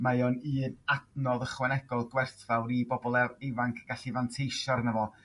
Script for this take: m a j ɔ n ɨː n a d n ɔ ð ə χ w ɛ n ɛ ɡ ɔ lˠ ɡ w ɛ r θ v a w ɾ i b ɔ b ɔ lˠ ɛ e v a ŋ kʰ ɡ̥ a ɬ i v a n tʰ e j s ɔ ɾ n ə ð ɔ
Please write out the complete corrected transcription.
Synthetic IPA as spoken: m a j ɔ n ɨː n a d n ɔ ð ə χ w ɛ n ɛ ɡ ɔ lˠ ɡ w ɛ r θ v a w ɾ i b ɔ b ɔ lˠ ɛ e v a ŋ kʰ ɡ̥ a ɬ i v a n tʰ e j ʃ ɔ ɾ n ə v ɔ